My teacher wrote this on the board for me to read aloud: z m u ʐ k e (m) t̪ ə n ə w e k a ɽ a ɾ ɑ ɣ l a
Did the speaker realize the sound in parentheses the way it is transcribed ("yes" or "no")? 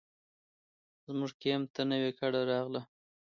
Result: yes